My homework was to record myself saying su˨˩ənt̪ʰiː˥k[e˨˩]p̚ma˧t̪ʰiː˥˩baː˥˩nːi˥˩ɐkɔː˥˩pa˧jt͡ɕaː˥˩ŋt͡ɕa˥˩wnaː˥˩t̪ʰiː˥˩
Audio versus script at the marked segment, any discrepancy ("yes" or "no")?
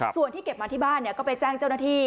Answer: no